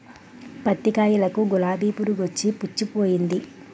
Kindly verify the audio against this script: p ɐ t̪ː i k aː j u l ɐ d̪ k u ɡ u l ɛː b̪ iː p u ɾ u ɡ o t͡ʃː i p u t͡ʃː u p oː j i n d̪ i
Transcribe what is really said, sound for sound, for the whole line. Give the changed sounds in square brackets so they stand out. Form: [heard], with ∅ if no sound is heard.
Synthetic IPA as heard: p ɐ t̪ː i k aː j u l ɐ [∅] k u ɡ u l [aː] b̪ iː p u ɾ u ɡ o t͡ʃː i p u t͡ʃː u p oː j i n d̪ i